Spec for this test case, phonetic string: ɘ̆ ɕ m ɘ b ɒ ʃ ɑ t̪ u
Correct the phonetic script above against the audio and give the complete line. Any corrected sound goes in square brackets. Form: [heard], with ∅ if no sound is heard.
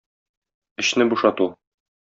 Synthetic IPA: ɘ̆ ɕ [n] ɘ b [u] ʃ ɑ t̪ u